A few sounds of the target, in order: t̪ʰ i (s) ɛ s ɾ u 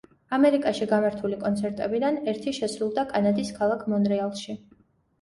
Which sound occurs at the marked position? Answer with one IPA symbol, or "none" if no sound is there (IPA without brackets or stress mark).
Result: ʃ